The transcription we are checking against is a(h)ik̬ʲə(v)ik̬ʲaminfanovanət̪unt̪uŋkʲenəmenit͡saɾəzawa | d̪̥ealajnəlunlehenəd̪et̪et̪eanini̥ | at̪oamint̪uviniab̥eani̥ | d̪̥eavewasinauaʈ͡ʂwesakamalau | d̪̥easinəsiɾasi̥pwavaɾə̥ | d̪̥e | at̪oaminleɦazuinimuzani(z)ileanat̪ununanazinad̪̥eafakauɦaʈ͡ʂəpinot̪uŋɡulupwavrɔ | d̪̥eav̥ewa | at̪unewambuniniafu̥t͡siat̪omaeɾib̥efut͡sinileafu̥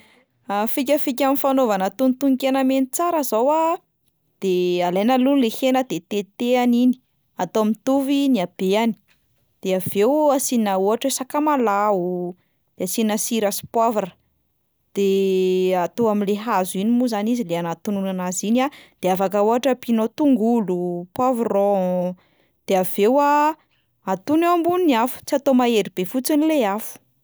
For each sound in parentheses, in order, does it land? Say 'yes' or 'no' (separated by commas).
no, no, yes